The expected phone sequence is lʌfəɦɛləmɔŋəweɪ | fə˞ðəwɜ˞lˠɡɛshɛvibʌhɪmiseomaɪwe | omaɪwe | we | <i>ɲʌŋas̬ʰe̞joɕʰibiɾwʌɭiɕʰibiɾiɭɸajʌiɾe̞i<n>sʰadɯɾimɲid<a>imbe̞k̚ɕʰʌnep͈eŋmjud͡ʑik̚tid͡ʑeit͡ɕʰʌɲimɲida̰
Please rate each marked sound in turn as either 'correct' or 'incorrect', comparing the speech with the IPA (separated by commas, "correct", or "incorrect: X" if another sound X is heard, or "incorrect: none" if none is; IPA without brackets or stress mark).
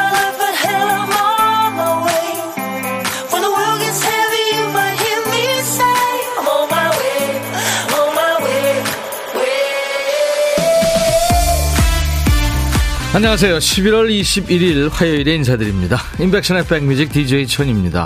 incorrect: a, correct, correct